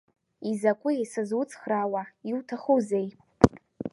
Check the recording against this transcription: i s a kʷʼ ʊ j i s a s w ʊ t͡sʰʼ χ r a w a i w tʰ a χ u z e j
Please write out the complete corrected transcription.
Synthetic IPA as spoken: i z a kʷʼ ʊ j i s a z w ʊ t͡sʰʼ χ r a w a i w tʰ a χ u z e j